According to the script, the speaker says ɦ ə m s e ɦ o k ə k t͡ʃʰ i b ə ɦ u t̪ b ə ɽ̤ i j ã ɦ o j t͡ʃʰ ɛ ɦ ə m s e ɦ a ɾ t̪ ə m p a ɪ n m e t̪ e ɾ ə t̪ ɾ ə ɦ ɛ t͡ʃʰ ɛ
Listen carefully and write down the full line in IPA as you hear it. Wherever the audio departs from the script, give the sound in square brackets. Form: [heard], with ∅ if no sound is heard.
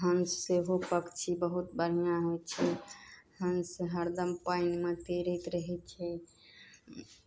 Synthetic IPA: ɦ ə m s e ɦ o [p] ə k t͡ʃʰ i b ə ɦ u t̪ b ə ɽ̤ i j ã ɦ o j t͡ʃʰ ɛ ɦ ə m s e ɦ [ə] ɾ [d̪] ə m p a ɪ n m e t̪ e ɾ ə t̪ ɾ ə ɦ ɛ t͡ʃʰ ɛ